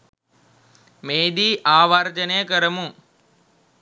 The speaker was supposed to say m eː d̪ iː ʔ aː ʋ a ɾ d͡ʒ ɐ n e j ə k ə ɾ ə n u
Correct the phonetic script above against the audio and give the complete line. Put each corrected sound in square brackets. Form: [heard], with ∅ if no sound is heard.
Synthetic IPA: m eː d̪ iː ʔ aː ʋ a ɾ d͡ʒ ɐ n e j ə k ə ɾ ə [m] u